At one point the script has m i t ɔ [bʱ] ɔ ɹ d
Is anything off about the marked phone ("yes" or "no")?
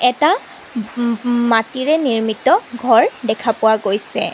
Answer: yes